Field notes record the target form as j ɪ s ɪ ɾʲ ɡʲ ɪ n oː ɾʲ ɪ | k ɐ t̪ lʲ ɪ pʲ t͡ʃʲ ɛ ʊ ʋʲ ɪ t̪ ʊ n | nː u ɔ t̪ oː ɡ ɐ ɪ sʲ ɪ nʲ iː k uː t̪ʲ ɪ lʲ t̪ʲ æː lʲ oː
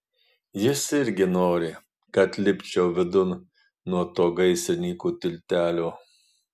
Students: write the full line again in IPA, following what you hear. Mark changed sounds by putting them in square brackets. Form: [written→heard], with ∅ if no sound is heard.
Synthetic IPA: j ɪ s ɪ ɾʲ ɡʲ ɪ n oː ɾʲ ɪ | k ɐ t̪ lʲ ɪ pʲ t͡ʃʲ ɛ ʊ ʋʲ ɪ [t̪→d̪] ʊ n | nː u ɔ t̪ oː ɡ ɐ ɪ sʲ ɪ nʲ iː k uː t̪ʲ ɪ lʲ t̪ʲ æː lʲ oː